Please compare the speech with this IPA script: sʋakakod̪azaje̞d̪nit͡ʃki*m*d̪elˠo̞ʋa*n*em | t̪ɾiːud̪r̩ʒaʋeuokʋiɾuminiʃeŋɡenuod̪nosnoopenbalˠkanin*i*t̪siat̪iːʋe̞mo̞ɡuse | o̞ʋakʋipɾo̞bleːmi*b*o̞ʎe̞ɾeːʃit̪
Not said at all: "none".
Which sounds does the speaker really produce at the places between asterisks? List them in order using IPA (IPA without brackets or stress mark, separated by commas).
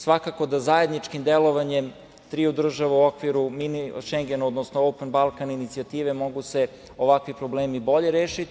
m, ɲ, i, b